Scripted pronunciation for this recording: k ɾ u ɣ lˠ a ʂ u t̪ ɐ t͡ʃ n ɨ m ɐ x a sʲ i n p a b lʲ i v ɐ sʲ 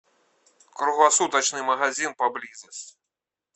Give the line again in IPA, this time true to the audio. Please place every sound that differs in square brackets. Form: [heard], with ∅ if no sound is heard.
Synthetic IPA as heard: k ɾ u ɣ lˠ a [s] u t̪ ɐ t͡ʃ n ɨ m ɐ [ɣ] a [zʲ] i n p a b lʲ i [z] ɐ sʲ